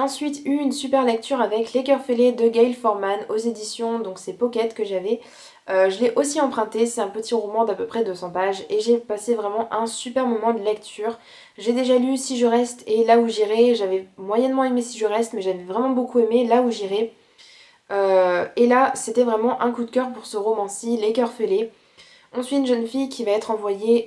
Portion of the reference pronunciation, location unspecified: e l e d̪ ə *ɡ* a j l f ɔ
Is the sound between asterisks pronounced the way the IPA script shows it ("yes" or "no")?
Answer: yes